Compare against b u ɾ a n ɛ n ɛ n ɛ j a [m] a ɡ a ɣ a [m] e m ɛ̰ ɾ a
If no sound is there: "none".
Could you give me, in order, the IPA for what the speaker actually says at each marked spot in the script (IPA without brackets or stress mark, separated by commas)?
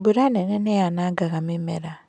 n, m